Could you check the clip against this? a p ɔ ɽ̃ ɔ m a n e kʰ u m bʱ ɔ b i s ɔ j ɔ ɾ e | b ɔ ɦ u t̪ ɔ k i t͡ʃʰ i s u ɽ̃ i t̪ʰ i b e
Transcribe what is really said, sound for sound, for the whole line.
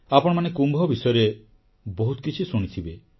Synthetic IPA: a p ɔ ɽ̃ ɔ m a n e k u m bʱ ɔ b i s ɔ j ɔ ɾ e | b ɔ ɦ u t̪ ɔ k i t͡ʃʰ i s u ɽ̃ i t̪ʰ i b e